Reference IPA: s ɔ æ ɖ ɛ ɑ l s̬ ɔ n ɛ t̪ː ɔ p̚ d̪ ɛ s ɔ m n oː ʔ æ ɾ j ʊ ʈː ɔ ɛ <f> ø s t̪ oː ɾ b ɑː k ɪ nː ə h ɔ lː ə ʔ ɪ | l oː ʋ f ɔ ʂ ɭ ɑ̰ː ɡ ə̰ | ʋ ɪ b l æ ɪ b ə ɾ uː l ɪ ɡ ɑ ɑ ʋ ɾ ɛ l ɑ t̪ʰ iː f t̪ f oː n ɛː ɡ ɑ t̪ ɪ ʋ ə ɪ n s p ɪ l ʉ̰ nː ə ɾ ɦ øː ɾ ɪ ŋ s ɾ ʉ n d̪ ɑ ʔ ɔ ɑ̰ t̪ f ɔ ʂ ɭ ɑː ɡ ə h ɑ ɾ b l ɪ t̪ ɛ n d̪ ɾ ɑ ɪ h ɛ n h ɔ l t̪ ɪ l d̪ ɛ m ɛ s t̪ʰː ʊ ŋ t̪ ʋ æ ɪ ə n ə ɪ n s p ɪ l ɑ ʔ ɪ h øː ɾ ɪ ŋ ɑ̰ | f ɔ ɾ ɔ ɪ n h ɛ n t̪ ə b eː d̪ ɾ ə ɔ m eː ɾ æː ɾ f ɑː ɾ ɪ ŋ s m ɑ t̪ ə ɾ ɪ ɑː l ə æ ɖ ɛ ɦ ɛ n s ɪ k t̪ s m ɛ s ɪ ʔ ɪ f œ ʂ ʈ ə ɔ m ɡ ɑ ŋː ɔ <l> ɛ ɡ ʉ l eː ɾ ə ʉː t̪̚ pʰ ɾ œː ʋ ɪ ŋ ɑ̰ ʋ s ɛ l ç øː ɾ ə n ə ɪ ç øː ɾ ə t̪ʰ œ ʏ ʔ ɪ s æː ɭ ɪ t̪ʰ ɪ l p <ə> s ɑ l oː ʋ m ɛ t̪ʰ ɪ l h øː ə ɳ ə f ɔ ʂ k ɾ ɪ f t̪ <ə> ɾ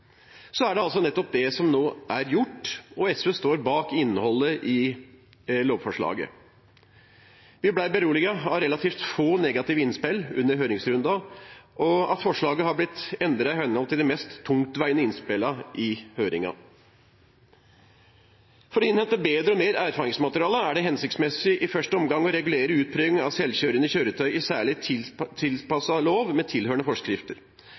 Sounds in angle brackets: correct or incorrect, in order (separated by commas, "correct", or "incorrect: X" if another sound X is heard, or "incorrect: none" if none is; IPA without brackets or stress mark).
incorrect: s, incorrect: ɾ, incorrect: ɑ, correct